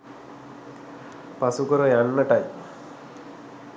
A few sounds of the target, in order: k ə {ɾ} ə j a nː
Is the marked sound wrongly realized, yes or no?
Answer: no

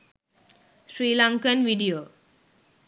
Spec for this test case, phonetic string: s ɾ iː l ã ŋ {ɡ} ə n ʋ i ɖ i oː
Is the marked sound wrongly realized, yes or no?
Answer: yes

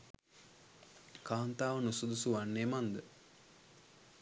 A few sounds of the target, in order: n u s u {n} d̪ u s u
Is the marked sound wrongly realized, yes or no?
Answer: yes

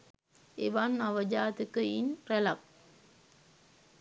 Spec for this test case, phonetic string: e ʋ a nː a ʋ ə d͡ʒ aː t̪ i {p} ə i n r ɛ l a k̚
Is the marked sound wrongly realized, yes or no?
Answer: yes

